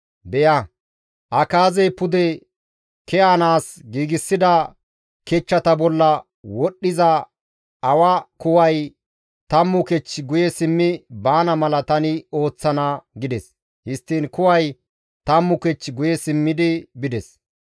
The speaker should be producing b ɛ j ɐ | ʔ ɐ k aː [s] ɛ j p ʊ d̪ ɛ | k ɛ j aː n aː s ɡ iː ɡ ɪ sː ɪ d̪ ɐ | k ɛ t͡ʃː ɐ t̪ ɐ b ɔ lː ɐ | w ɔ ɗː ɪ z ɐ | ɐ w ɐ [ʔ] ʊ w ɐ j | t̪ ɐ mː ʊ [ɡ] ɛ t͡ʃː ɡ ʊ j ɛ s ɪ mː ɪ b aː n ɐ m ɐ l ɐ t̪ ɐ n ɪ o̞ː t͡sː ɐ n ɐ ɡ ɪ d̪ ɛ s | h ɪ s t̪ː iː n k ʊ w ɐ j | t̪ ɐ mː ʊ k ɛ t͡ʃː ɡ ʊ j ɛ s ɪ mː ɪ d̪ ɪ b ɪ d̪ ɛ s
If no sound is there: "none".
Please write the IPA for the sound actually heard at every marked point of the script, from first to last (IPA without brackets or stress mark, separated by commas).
z, k, k